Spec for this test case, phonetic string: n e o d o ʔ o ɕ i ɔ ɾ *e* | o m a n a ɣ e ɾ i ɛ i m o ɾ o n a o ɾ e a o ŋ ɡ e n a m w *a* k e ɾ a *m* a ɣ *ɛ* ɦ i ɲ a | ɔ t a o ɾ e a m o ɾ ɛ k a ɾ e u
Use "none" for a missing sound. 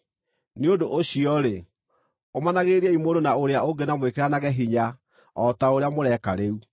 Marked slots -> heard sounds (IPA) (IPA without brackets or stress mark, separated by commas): e, e, n, ɛ